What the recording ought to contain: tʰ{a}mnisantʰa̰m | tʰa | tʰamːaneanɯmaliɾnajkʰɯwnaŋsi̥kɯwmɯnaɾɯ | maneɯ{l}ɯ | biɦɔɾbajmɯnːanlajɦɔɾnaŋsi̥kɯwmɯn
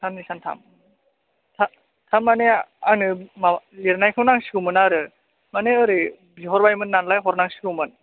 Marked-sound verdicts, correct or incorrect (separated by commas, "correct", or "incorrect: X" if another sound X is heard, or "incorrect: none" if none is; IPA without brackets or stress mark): correct, incorrect: ɾ